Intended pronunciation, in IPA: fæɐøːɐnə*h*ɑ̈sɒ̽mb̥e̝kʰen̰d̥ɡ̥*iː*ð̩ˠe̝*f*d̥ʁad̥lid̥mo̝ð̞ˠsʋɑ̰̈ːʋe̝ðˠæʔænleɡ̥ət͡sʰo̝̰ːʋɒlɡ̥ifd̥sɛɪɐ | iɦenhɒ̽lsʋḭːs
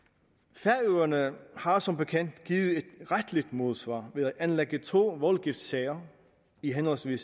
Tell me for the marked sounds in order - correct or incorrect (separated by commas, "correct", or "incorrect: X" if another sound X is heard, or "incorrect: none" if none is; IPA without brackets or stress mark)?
correct, correct, incorrect: none